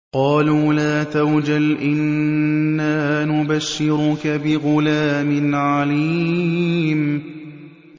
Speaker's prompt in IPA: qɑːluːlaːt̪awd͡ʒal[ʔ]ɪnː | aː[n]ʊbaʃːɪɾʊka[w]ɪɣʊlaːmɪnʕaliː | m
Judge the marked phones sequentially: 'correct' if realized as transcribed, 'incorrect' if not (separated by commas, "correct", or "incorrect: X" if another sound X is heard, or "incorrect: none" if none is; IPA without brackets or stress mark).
correct, correct, incorrect: b